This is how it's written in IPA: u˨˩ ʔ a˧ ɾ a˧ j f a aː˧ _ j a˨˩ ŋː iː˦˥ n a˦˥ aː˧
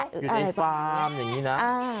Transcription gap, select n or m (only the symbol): m